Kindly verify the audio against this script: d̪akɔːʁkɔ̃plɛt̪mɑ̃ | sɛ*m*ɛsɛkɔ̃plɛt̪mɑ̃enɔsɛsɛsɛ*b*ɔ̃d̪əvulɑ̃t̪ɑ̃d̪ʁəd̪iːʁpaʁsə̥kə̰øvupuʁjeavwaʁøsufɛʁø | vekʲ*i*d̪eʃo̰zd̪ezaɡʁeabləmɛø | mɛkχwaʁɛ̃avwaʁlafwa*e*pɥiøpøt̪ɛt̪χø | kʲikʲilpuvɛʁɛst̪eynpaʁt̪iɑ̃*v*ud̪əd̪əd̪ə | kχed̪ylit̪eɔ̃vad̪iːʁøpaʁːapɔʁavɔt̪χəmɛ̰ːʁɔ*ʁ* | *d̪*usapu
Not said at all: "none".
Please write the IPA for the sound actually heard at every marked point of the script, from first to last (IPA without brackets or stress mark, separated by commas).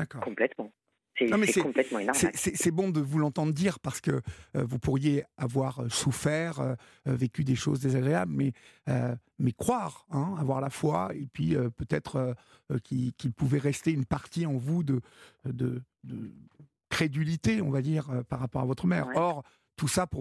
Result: m, b, y, e, v, ʁ, t̪